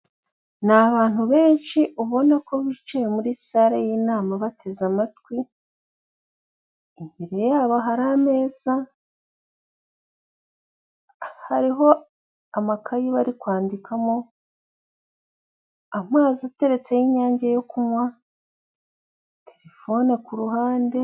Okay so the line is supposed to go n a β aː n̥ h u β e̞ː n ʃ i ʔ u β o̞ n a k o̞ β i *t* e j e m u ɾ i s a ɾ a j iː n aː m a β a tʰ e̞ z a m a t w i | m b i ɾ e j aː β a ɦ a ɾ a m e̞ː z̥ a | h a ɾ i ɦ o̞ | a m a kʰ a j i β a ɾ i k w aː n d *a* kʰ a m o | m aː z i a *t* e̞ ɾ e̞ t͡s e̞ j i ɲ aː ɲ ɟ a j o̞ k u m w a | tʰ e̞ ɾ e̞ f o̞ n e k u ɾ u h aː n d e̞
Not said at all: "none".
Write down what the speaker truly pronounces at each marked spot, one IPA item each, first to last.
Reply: t͡ʃ, i, t

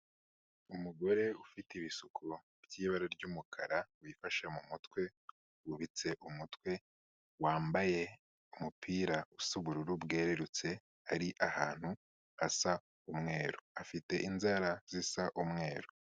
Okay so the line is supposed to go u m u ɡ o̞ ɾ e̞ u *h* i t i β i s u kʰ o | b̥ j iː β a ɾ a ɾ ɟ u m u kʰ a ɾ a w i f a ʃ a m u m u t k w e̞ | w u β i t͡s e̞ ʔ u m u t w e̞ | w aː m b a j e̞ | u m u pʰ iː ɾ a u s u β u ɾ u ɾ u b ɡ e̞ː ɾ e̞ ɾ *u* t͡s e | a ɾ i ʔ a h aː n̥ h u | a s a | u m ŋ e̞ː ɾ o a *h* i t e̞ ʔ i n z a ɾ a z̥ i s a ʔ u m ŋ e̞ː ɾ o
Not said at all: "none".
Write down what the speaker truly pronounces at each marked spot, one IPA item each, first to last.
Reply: f, u, f

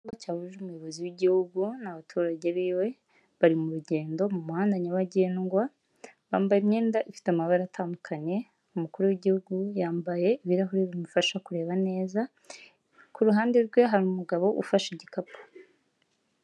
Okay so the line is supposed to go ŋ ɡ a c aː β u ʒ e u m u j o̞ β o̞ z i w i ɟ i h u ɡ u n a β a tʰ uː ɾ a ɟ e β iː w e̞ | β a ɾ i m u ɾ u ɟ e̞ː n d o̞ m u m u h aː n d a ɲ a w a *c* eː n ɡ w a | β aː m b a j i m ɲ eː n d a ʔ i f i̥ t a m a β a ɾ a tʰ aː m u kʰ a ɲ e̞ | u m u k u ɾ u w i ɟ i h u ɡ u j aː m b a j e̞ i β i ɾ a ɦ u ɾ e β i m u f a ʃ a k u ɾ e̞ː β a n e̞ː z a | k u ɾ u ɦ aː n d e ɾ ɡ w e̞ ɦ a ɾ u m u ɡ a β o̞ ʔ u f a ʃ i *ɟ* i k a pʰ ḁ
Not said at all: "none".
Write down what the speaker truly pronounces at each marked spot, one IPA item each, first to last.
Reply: ɟ, ɟ

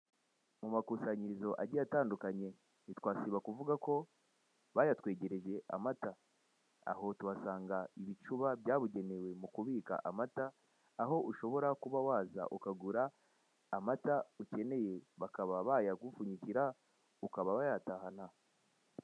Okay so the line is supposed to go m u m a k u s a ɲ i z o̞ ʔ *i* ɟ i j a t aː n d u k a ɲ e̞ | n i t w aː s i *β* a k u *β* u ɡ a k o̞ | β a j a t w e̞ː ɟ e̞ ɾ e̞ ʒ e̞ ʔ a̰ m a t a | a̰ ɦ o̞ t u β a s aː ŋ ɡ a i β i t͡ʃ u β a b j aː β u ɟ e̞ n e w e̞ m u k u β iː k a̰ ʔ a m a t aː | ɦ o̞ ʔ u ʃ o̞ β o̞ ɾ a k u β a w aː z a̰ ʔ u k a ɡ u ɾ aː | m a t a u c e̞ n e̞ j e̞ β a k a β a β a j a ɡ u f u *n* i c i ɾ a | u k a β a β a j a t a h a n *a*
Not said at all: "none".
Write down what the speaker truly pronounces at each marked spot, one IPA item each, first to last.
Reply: a, β, v, ɲ, a

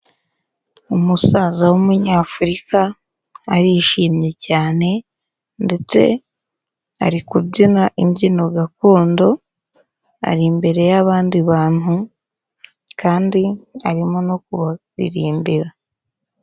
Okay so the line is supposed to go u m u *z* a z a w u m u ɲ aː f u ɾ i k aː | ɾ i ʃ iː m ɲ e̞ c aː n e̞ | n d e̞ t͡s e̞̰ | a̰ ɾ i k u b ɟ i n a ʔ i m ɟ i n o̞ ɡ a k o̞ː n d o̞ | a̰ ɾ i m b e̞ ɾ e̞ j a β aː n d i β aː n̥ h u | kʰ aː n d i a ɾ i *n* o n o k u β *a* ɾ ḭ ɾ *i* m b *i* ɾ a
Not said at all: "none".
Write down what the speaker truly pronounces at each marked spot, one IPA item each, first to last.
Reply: s, m, a, iː, i

